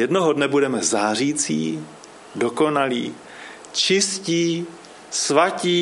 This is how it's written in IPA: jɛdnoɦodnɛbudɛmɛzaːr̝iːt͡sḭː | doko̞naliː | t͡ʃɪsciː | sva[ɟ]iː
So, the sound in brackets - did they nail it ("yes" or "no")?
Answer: no